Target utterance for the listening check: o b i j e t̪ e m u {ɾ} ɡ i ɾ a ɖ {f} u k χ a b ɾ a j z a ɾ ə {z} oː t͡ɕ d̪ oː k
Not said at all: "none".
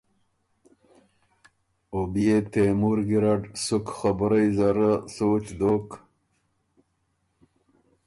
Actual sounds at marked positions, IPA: ɾ, s, s

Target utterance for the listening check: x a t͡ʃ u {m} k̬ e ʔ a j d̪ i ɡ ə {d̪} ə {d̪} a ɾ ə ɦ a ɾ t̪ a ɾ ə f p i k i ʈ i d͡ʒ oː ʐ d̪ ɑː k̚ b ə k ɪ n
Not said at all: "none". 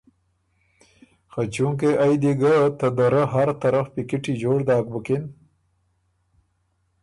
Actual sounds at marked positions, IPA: ŋ, t̪, d̪

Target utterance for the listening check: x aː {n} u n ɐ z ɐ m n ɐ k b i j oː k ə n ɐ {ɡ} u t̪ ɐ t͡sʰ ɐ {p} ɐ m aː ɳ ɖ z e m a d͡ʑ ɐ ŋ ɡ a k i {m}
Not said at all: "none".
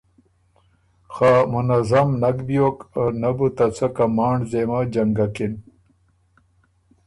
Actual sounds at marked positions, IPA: m, b, k, n

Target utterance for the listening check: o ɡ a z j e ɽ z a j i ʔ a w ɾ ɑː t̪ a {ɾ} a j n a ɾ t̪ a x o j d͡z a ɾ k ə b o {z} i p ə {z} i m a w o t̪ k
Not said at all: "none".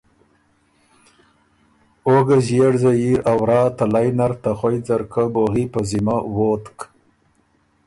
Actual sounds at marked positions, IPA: l, ɣ, z

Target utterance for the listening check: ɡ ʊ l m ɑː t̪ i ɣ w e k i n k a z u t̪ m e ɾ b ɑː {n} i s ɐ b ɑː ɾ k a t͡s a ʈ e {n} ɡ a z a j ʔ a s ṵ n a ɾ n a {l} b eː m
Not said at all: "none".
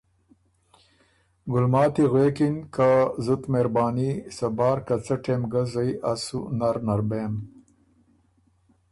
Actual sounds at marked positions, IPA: n, m, ɾ

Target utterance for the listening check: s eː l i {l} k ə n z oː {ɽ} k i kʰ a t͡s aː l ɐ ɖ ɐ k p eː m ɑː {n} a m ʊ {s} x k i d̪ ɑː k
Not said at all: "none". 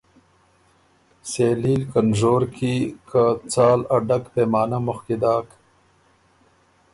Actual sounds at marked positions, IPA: l, ɾ, n, none

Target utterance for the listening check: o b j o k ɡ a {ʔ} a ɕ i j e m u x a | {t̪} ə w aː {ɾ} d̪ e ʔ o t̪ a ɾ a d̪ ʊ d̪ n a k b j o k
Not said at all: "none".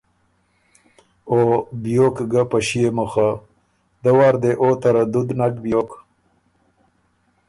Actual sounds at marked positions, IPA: p, d̪, ɾ

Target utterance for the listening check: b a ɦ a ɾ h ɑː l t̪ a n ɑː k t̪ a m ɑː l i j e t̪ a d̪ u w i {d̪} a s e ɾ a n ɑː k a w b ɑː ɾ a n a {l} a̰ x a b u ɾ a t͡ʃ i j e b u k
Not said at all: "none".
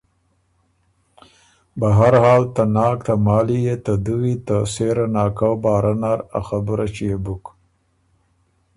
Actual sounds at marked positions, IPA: t̪, ɾ

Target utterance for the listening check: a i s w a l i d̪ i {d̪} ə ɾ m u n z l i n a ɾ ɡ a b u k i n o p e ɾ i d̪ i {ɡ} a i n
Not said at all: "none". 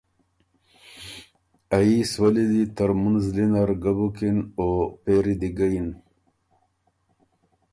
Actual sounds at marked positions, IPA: t̪, ɡ

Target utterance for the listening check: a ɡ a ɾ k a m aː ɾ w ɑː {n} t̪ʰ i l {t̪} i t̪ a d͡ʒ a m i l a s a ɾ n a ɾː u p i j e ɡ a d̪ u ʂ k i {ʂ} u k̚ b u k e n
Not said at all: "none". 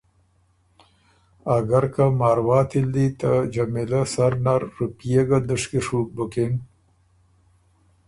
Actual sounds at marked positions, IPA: none, d̪, ʂ

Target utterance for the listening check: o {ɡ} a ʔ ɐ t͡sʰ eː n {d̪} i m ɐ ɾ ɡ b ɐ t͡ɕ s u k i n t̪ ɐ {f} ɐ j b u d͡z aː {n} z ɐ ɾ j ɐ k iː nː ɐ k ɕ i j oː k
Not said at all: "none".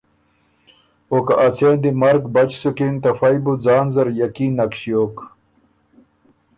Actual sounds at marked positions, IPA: k, d̪, f, n

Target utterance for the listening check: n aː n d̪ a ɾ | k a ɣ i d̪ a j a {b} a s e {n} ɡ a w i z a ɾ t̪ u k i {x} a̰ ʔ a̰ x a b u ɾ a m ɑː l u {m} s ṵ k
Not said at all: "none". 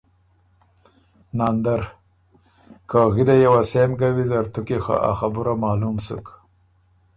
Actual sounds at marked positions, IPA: w, m, x, m

